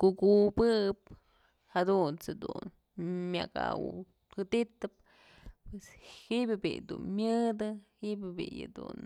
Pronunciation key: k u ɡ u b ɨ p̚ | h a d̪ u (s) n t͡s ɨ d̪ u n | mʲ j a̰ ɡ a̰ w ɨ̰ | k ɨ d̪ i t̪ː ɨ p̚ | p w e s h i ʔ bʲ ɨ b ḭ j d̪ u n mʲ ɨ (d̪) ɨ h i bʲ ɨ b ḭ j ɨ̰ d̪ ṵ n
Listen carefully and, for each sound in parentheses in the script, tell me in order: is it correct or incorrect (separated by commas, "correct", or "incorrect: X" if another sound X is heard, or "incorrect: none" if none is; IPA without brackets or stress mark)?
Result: incorrect: none, correct